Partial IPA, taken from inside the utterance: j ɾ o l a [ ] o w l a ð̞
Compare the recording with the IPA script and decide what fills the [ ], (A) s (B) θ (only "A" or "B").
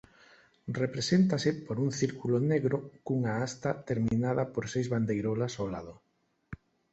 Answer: A